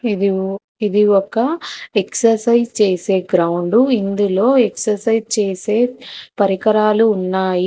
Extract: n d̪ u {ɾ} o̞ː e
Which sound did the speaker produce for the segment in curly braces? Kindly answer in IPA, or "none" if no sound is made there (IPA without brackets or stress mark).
l